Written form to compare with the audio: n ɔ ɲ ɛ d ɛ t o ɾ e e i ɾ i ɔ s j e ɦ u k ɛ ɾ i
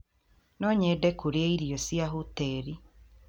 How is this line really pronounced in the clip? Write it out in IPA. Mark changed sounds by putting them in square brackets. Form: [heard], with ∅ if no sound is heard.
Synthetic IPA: n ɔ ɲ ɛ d ɛ [k] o ɾ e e i ɾ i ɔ s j [a] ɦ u [t] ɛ ɾ i

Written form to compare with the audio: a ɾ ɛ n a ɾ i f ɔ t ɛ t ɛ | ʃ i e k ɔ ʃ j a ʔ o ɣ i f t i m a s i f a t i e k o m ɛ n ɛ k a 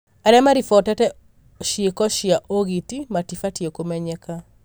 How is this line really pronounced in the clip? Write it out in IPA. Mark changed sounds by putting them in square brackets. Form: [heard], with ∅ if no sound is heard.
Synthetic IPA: a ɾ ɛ [m] a ɾ i f ɔ t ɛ t ɛ | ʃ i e k ɔ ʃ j a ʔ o ɣ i [∅] t i m a [t] i f a t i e k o m ɛ [ɲ] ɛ k a

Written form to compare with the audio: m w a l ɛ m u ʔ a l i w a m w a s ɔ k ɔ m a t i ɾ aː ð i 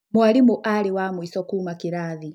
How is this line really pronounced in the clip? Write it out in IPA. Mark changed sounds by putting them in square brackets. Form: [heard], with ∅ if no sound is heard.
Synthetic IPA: m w a l [i] m u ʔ a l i w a m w [i] s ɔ k [u] m a [k] i ɾ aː ð i

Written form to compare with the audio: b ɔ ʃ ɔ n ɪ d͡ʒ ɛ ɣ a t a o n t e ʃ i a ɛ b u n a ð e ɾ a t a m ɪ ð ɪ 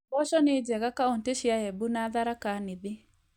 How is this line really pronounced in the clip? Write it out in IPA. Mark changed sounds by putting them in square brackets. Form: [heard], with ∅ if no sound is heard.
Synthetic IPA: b ɔ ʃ ɔ n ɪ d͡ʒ ɛ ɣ a [k] a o n t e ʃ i a ɛ b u n a ð [a] ɾ a [k] a [n] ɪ ð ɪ

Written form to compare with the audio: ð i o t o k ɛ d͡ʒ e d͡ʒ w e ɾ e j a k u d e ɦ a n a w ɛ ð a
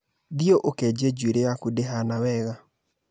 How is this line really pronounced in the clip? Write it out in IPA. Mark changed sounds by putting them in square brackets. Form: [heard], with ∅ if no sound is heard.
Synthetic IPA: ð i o [ʔ] o k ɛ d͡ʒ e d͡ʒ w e ɾ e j a k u d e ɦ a n a w ɛ [ɣ] a

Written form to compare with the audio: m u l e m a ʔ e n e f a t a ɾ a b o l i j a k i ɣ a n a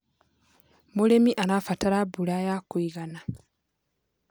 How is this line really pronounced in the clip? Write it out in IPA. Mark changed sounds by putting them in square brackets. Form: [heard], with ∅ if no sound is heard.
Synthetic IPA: m u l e m [i] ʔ [a] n [a] f a t a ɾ a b [u] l [a] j a k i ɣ a n a

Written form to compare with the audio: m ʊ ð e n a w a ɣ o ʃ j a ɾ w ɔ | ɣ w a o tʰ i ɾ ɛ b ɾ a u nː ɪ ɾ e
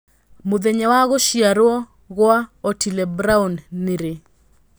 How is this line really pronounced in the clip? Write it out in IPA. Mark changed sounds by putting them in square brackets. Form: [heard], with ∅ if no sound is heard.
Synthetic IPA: m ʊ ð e [ɲ] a w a ɣ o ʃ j a ɾ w ɔ | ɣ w a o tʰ i [l] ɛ b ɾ a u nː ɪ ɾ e

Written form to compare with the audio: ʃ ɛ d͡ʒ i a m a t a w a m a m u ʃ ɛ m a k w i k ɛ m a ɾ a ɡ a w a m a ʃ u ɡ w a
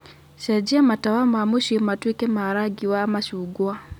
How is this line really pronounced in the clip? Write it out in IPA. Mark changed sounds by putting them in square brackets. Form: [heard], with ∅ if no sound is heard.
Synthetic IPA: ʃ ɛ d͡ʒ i a m a t a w a m a m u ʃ [i] m a [t] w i k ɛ m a ɾ a ɡ [i] w a m a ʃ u ɡ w a

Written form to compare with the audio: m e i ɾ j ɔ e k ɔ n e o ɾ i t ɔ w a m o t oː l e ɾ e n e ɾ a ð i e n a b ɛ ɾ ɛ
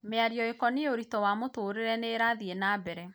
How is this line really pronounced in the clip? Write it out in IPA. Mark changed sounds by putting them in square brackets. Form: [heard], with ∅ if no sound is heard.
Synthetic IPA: m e [a] ɾ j ɔ e k ɔ n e o ɾ i t ɔ w a m o t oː [ɾ] e ɾ [ɛ] n e ɾ a ð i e n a b ɛ ɾ ɛ

